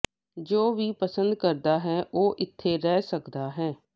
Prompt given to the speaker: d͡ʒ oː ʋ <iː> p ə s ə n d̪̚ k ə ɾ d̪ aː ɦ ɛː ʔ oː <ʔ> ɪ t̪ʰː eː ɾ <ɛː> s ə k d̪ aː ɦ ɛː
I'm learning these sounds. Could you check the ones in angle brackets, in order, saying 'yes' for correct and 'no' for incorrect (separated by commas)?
yes, yes, yes